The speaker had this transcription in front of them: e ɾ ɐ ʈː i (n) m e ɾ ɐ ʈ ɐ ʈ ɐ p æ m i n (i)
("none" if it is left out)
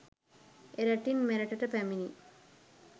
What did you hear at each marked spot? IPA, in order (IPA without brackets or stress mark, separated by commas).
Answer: n, i